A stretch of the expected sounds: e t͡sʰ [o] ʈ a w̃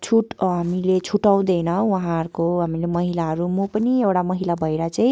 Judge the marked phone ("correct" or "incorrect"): incorrect